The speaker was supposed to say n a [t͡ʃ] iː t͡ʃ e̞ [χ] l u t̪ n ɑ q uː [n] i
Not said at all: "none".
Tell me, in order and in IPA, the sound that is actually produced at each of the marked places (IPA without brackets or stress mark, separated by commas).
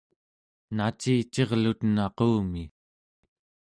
t͡ʃ, ʁ, m